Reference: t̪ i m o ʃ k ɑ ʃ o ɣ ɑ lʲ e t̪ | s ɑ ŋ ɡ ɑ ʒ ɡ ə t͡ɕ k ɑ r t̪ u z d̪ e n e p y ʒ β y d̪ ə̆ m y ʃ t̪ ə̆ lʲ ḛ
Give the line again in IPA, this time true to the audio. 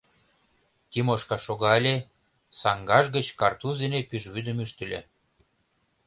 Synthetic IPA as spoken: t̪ i m o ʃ k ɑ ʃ o ɣ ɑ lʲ e | s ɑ ŋ ɡ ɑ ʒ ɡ ə t͡ɕ k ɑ r t̪ u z d̪ e n e p y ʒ β y d̪ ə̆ m y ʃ t̪ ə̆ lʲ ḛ